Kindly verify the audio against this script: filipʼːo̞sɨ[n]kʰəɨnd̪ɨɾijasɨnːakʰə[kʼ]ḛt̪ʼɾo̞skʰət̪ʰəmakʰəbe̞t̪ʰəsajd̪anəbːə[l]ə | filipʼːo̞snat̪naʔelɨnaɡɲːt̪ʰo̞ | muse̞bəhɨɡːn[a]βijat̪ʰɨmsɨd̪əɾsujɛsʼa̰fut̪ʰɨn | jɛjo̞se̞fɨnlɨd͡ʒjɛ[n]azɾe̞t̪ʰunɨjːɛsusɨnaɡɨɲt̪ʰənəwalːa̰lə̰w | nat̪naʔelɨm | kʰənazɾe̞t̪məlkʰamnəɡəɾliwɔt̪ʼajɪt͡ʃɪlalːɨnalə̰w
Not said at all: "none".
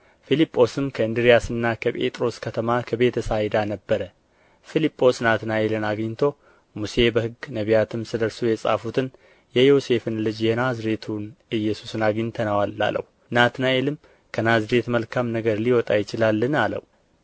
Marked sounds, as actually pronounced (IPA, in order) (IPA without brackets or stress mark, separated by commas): m, pʼ, ɾ, ə, n